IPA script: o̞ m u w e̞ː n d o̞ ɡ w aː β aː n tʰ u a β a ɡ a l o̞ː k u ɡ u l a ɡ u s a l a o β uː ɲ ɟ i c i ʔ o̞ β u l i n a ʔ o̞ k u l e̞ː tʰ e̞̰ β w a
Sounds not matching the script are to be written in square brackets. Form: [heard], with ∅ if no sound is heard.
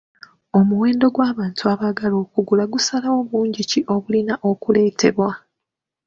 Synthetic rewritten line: o̞ m u w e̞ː n d o̞ ɡ w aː β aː n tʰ u a β a ɡ a l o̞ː k u ɡ u l a ɡ u s a l a o β uː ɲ ɟ i c i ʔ o̞ β u l i n a ʔ o̞ k u l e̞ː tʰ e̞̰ β w a